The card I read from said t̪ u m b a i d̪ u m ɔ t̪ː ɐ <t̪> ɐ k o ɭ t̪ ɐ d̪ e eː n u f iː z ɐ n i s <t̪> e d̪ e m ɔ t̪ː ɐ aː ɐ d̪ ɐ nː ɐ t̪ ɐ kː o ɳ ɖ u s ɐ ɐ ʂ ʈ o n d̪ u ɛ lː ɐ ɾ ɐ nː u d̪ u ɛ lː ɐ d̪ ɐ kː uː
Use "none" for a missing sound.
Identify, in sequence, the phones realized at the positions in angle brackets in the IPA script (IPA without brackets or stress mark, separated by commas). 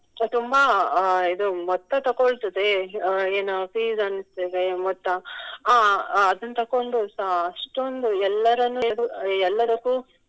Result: t̪, t̪